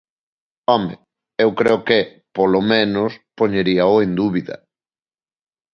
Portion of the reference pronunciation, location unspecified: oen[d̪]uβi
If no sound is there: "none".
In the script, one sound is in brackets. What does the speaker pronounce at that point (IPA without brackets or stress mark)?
d̪